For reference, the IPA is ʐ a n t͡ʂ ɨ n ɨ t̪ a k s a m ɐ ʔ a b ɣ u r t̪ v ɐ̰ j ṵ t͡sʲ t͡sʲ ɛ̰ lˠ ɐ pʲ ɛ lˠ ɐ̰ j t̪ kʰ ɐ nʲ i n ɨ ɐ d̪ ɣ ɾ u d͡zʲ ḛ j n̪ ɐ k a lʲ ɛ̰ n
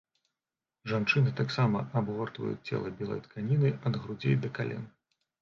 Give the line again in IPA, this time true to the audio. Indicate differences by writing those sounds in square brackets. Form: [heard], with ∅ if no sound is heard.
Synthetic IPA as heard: ʐ a n t͡ʂ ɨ n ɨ t̪ a k s a m ɐ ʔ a b ɣ [ɔ] r t̪ v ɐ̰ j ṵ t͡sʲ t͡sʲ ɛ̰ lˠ ɐ [bʲ] ɛ lˠ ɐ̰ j t̪ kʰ [a] nʲ i n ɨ ɐ d̪ ɣ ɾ u d͡zʲ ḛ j [d̪] ɐ k a lʲ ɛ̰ n